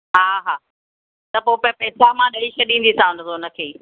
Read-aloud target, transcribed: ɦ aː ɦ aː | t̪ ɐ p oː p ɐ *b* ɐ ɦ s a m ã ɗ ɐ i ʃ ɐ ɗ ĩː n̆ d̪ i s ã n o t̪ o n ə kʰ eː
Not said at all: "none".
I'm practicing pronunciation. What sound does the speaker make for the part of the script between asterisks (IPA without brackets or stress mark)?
p